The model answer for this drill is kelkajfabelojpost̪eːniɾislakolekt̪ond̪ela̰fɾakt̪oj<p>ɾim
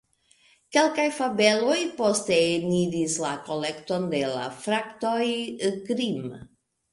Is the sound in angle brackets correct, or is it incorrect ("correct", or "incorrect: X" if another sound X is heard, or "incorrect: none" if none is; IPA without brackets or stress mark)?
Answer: incorrect: k